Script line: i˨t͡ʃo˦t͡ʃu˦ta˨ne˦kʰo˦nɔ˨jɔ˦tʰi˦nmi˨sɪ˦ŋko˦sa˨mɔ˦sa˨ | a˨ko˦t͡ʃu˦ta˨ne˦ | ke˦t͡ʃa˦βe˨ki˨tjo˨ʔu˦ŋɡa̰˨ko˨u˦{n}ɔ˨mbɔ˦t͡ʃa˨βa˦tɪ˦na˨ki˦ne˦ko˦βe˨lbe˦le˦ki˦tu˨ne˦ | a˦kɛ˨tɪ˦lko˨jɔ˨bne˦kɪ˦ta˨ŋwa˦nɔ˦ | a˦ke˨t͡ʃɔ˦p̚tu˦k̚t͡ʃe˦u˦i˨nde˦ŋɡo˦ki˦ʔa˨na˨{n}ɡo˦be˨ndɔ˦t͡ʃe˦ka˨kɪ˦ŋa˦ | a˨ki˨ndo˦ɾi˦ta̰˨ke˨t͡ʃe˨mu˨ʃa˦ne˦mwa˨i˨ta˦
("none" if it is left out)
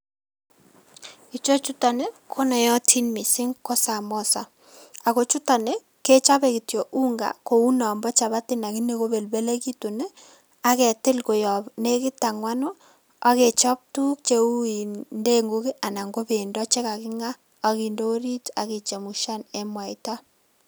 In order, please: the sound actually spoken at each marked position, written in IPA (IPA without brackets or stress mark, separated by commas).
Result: n, ŋ